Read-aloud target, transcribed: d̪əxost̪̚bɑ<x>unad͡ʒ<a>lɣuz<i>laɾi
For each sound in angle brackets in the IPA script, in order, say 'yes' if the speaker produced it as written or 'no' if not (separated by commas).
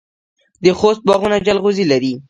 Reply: no, yes, yes